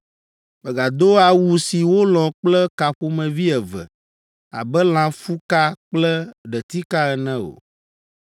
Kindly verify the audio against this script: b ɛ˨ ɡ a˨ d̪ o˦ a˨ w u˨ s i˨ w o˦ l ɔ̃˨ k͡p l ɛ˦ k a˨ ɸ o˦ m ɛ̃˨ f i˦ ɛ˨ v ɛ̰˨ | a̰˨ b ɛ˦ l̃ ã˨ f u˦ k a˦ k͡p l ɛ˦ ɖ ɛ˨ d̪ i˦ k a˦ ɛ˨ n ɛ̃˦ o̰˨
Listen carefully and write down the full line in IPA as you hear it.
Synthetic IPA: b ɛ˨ ɡ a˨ d̪ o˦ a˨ w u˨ s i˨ w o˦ l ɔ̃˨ k͡p l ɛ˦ k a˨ ɸ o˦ m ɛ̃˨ v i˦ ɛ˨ v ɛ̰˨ | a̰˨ b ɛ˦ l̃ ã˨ f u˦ k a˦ k͡p l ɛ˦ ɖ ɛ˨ t̪ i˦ k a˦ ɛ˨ n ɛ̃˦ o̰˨